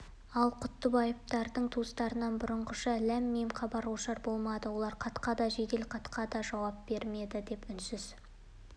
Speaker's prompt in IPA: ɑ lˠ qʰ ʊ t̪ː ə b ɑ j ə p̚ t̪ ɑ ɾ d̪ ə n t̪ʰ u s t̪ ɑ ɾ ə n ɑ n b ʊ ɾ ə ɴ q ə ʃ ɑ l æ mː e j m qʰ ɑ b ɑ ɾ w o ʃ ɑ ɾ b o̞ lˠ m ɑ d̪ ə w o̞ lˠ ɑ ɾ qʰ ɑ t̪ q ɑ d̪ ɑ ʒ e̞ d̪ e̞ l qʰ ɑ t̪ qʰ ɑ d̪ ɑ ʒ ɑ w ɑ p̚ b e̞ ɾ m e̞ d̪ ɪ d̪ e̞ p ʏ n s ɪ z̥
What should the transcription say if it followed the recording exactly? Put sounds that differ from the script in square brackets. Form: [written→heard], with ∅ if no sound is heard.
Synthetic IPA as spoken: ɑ lˠ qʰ ʊ t̪ː ə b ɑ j ə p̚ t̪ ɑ ɾ d̪ ə [n→ɴ] t̪ʰ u s t̪ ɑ ɾ ə n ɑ n b ʊ ɾ ə ɴ q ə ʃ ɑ l æ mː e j m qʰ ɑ b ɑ ɾ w o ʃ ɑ ɾ b o̞ lˠ m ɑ d̪ ə w o̞ lˠ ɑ ɾ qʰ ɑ t̪ q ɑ d̪ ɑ ʒ e̞ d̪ e̞ l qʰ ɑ t̪ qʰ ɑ d̪ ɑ ʒ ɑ w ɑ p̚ b e̞ ɾ m e̞ d̪ ɪ d̪ e̞ p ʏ n s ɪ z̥